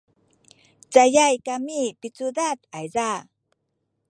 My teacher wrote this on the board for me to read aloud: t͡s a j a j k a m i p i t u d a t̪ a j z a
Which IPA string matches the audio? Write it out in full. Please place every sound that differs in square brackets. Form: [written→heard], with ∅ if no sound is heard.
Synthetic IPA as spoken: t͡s a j a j k a m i p i [t→t͡s] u d a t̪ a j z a